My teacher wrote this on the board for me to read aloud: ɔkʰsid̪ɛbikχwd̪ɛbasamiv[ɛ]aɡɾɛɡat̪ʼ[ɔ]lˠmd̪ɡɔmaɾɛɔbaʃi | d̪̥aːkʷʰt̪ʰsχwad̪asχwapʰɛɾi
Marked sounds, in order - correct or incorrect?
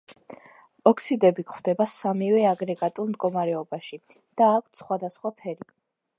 correct, incorrect

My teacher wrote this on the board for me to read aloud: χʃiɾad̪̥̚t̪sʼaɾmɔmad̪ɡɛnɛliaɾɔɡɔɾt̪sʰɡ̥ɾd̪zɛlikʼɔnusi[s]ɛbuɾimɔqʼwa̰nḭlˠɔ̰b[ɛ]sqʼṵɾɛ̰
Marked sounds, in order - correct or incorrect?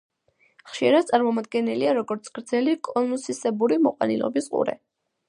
correct, incorrect

